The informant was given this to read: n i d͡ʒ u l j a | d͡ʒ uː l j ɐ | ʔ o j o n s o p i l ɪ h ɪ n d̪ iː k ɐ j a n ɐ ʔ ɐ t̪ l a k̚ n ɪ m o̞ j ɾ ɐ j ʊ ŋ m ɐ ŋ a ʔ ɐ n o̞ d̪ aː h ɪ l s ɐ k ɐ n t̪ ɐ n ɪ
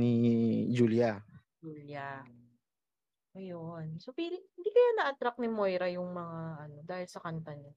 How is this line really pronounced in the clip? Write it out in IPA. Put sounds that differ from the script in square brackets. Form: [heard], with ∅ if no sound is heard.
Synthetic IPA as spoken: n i d͡ʒ u l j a | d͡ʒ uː l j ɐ | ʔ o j o n s o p i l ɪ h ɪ n d̪ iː k ɐ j a n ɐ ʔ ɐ t̪ [ɾ] a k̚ n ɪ m o̞ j ɾ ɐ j ʊ ŋ m ɐ ŋ a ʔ ɐ n o̞ d̪ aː h ɪ l s ɐ k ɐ n t̪ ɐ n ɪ